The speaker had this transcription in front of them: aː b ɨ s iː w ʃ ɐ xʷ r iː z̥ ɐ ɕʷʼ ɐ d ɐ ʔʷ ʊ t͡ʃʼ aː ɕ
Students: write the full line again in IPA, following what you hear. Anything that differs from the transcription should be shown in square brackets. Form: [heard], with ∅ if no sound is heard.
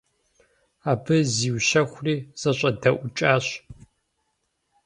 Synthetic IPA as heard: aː b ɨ [z] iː w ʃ ɐ xʷ r iː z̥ ɐ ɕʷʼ ɐ d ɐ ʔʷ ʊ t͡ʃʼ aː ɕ